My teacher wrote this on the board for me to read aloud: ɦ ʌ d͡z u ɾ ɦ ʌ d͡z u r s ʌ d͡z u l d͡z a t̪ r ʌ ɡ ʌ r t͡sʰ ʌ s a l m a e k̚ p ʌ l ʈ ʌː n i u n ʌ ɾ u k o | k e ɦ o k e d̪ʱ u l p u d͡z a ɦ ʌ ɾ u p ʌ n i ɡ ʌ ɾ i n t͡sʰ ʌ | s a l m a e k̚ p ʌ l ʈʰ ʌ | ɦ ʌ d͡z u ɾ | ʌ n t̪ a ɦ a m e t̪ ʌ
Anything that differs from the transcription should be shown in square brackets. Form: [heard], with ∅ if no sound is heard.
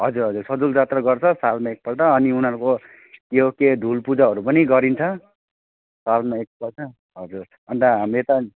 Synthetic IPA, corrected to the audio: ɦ ʌ d͡z u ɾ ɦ ʌ d͡z u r s ʌ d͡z u l d͡z a t̪ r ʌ ɡ ʌ r t͡sʰ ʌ s a l m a e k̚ p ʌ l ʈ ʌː n i u n ʌ ɾ u k o | k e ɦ o k e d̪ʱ u l p u d͡z a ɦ ʌ ɾ u p ʌ n i ɡ ʌ ɾ i n t͡sʰ ʌ | s a l m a e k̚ p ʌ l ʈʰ ʌ | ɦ ʌ d͡z u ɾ | ʌ n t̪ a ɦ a m e t̪ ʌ